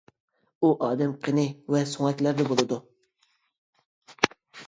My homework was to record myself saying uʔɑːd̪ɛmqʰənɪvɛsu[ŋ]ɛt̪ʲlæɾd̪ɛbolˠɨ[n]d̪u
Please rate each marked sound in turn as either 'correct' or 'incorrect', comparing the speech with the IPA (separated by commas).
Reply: correct, incorrect